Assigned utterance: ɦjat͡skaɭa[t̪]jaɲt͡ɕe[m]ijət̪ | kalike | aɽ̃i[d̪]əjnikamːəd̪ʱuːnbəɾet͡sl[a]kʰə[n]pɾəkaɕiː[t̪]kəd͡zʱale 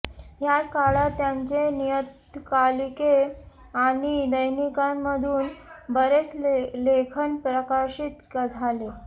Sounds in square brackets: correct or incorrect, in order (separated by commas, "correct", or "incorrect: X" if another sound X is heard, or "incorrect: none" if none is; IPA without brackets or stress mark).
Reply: correct, incorrect: n, correct, incorrect: e, correct, correct